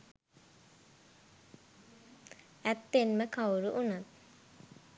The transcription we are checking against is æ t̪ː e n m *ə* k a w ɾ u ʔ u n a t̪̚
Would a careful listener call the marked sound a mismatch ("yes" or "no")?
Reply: no